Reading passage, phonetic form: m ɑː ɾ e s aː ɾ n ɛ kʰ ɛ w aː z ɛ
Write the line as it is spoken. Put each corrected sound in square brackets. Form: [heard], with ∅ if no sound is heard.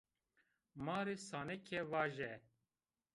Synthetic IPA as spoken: m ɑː ɾ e s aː [∅] n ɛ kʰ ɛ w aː [ʒ] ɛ

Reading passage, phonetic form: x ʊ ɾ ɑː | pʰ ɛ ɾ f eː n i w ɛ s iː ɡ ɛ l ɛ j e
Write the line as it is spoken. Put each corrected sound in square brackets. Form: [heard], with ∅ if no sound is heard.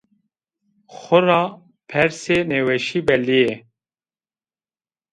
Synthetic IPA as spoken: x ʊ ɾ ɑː | pʰ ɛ ɾ [s] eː n [e] w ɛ [ʃ] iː [b] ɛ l [i] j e

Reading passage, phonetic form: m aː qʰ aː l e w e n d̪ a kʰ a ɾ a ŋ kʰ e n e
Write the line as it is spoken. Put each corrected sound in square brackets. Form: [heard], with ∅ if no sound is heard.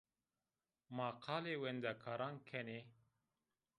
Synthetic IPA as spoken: m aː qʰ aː l e w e n d̪ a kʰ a ɾ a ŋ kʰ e n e

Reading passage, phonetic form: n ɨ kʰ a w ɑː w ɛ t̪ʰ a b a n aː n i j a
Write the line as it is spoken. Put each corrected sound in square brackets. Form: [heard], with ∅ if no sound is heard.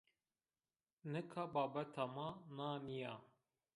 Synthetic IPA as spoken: n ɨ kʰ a [b] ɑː [b] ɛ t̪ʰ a [m] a n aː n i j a

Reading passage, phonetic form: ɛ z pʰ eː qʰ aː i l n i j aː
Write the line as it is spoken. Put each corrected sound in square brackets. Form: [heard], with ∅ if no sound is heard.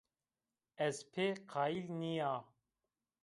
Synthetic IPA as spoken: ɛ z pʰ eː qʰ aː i l n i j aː

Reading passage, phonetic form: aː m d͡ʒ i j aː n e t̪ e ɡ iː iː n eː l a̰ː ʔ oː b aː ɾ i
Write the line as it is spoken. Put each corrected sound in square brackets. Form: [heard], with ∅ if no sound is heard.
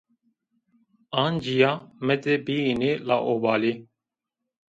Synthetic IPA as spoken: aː [n] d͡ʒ i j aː [m] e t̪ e [b] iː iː n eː l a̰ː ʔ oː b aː [l] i

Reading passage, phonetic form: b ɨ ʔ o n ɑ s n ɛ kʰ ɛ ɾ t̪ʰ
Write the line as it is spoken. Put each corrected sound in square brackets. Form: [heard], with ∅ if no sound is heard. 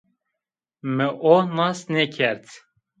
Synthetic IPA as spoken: [m] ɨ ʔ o n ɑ s n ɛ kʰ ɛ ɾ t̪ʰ

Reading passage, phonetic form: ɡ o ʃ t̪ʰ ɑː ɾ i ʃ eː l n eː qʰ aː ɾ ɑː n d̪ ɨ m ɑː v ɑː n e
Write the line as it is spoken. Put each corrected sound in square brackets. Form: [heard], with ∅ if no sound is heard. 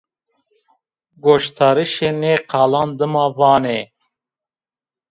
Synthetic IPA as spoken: ɡ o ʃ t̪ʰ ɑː ɾ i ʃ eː [∅] n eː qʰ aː [l] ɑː n d̪ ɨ m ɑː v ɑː n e

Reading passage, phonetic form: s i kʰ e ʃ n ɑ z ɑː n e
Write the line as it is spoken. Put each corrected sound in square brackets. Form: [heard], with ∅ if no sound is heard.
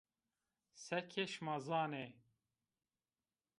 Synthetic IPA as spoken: s [ɛ] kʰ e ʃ [m] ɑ z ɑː n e

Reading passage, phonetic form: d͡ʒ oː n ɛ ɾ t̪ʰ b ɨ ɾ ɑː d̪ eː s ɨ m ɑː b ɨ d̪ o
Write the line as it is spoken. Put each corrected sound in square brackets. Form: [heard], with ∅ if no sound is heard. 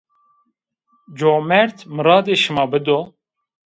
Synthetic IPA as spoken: d͡ʒ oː [m] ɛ ɾ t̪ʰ [m] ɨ ɾ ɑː d̪ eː [ʃ] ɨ m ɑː b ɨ d̪ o

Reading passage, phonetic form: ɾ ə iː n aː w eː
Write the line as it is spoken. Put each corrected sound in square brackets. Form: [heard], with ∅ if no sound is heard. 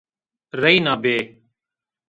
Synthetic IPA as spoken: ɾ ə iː n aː [b] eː

